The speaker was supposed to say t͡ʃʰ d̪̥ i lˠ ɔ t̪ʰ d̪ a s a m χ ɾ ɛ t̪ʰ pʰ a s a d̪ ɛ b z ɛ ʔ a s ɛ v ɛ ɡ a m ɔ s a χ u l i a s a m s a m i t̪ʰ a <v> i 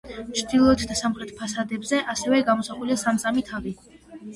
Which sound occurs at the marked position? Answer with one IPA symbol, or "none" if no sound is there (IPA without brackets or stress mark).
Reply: v